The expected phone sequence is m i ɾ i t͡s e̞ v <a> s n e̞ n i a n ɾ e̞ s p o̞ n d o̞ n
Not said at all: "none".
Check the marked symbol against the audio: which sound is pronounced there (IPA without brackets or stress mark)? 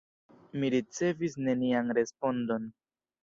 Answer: i